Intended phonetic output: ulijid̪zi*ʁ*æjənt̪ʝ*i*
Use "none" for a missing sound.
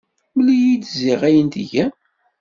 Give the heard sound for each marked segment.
ʁ, æ

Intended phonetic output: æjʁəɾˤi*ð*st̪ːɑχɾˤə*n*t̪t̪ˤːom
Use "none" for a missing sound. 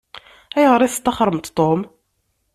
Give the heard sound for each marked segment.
θ, m

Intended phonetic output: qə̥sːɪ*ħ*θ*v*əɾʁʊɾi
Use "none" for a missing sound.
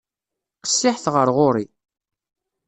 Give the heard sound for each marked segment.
ħ, ʁ

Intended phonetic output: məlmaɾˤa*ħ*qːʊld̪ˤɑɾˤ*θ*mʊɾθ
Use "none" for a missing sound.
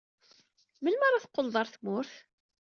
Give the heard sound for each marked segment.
θ, θ

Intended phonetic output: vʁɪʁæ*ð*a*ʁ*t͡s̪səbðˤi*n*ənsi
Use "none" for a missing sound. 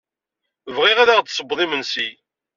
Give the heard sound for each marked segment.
ð, ʁ, m

